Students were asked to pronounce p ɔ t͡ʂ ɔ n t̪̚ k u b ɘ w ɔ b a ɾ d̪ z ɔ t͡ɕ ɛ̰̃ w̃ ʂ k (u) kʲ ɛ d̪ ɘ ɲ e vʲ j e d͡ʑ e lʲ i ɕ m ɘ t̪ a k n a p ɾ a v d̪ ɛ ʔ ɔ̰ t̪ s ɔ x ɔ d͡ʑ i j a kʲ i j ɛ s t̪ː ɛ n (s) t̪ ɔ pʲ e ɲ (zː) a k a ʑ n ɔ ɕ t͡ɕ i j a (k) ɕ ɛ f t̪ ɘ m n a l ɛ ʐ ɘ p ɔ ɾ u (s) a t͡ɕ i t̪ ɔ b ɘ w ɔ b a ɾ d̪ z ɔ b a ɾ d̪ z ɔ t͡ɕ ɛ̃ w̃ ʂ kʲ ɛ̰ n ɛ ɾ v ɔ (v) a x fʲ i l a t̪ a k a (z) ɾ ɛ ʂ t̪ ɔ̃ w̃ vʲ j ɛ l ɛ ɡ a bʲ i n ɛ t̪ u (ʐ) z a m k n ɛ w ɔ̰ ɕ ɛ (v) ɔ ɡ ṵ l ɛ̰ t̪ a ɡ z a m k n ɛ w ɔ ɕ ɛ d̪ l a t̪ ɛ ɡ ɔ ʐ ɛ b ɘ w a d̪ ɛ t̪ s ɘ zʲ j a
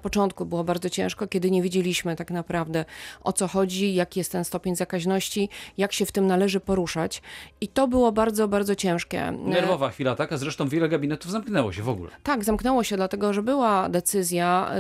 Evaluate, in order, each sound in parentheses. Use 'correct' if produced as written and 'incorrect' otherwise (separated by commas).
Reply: incorrect, correct, incorrect, correct, incorrect, correct, correct, incorrect, correct